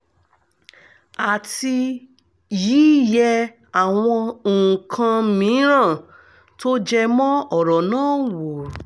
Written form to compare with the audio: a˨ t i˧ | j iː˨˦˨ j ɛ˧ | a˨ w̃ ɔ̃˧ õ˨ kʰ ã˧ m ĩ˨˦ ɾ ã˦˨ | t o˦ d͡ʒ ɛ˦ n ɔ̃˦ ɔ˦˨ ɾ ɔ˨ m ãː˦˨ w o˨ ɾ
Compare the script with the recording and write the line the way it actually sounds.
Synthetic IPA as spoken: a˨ t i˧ | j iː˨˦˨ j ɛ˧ | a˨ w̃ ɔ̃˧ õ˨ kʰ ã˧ m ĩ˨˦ ɾ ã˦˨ | t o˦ d͡ʒ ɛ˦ m ɔ̃˦ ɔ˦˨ ɾ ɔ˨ n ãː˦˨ w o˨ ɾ